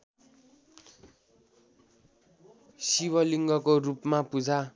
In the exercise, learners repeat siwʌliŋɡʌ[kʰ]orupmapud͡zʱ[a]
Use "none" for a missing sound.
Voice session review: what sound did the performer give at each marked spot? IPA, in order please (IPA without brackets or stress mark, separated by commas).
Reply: k, a